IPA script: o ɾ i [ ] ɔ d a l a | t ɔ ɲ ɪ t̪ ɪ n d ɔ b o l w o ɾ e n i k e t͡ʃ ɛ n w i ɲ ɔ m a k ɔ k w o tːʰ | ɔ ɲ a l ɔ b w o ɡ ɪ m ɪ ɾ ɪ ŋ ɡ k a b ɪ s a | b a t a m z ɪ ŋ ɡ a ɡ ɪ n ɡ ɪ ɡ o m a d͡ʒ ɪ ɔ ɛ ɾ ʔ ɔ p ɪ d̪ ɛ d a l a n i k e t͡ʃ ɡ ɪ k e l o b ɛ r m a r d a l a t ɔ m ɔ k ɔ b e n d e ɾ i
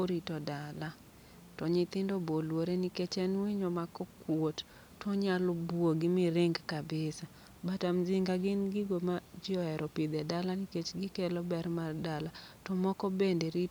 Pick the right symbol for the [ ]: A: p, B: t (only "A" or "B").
B